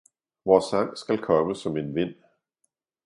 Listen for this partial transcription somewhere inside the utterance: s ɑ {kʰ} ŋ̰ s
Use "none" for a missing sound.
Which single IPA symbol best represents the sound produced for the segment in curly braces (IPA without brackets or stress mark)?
none